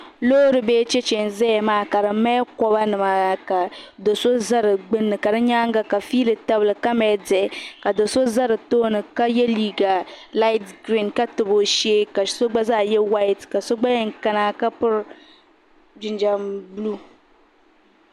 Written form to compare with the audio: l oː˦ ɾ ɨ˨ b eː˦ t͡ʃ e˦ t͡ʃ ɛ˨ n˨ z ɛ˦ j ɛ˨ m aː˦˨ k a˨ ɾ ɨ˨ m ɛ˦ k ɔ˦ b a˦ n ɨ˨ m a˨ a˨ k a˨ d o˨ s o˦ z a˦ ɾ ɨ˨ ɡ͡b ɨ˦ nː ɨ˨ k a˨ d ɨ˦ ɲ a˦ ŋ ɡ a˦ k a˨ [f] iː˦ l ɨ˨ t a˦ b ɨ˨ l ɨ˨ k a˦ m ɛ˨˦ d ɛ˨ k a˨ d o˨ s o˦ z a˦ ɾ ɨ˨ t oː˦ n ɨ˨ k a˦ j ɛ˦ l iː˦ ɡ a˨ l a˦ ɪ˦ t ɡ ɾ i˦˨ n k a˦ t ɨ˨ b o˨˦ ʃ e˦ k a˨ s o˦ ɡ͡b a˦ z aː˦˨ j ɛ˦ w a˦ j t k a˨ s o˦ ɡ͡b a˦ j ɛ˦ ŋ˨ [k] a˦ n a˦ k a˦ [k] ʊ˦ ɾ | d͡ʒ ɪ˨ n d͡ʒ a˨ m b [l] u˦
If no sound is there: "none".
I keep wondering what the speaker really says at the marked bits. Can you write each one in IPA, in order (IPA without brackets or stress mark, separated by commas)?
f, k, p, l